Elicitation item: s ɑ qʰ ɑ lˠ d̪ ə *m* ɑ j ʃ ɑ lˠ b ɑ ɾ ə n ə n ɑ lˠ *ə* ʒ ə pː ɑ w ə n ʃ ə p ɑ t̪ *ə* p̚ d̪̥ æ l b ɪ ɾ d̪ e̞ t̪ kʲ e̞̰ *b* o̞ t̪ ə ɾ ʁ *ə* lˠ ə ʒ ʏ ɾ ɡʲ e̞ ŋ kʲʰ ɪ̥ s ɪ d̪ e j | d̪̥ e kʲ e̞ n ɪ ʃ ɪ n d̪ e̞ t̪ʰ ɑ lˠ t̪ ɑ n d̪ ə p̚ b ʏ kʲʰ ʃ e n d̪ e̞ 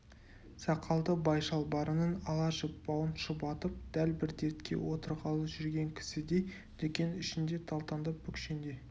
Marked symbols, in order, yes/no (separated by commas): no, no, yes, no, no